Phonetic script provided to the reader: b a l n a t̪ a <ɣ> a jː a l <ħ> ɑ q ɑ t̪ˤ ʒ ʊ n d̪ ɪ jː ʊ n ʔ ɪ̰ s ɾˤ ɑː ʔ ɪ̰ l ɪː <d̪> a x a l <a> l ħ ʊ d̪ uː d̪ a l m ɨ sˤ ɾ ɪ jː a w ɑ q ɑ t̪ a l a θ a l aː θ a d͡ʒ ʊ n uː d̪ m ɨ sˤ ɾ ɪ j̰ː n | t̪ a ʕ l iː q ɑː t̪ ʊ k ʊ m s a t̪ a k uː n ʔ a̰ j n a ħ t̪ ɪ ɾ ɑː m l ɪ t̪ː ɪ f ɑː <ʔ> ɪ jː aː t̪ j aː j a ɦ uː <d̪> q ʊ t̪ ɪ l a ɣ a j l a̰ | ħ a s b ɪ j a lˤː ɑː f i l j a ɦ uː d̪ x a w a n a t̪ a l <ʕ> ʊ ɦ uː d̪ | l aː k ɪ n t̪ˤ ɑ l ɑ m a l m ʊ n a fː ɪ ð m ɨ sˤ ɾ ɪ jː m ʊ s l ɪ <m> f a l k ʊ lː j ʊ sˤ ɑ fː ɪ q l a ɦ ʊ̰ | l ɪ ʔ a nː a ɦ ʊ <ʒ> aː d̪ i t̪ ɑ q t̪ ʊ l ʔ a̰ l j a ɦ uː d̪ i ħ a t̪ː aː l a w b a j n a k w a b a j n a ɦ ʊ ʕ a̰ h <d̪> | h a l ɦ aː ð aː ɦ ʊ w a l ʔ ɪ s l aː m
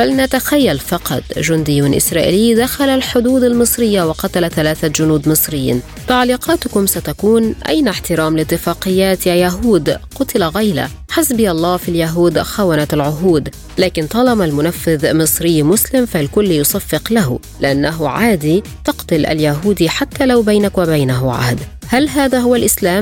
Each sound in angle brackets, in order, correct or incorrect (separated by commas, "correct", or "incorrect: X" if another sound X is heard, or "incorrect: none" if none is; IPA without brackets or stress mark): incorrect: x, incorrect: f, correct, correct, incorrect: q, correct, correct, correct, incorrect: ʕ, correct